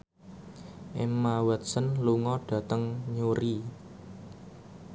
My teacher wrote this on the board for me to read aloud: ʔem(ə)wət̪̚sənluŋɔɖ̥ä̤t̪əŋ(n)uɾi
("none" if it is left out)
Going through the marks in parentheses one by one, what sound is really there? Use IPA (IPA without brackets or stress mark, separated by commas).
a, ɲ